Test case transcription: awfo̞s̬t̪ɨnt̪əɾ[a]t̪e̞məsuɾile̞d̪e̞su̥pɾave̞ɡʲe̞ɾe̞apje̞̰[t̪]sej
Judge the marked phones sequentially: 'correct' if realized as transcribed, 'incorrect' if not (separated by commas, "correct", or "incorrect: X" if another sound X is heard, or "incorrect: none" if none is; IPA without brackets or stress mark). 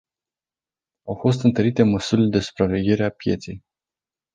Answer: incorrect: i, correct